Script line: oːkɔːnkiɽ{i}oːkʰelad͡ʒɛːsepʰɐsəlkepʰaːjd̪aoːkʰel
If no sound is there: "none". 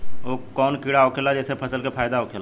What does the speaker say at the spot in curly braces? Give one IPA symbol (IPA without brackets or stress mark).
a